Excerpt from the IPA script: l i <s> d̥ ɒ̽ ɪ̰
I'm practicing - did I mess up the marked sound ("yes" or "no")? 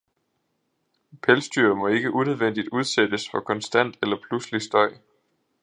no